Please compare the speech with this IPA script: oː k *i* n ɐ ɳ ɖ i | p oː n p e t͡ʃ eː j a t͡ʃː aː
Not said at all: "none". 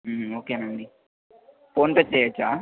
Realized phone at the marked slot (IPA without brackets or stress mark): e